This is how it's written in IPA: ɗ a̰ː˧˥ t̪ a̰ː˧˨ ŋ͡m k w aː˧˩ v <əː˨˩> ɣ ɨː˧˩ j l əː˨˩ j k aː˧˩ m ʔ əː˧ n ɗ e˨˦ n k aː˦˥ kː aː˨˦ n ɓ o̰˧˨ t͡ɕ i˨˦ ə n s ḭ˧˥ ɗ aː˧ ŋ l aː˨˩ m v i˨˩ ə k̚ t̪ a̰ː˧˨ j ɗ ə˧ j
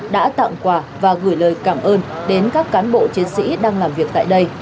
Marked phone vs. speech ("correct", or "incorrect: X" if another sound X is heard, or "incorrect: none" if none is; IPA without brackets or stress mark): incorrect: aː˨˩